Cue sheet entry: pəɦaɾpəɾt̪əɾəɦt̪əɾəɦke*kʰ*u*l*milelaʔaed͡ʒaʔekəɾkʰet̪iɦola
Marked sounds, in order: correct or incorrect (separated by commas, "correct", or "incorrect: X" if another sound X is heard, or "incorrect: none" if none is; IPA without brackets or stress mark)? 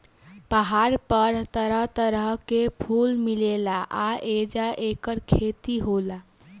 incorrect: pʰ, correct